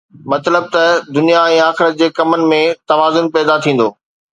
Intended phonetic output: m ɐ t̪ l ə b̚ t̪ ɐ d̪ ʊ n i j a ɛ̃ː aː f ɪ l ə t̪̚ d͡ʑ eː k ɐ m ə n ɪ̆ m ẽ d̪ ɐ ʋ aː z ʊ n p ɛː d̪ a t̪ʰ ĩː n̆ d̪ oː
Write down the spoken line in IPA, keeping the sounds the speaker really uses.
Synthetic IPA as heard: m ɐ t̪ l ə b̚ t̪ ɐ d̪ ʊ n i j a ɛ̃ː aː x ɪ ɾ ə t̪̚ d͡ʑ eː k ɐ m ə n ɪ̆ m ẽ t̪ ɐ ʋ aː z ʊ n p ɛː d̪ a t̪ʰ ĩː n̆ d̪ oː